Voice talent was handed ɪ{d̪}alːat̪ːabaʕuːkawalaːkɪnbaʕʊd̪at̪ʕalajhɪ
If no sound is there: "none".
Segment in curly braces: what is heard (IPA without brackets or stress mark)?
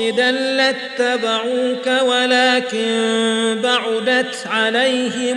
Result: d̪